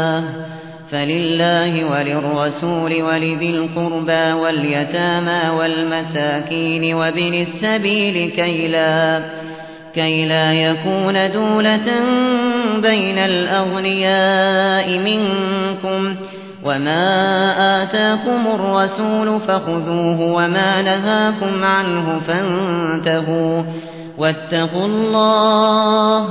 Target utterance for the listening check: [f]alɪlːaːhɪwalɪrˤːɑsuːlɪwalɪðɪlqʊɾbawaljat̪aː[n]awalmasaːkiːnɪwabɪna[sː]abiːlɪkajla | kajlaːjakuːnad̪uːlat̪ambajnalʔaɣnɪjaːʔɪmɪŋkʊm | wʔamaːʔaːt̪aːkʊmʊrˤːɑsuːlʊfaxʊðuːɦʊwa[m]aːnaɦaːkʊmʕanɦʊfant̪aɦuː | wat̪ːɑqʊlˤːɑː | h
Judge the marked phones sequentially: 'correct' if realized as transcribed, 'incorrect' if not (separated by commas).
correct, incorrect, correct, correct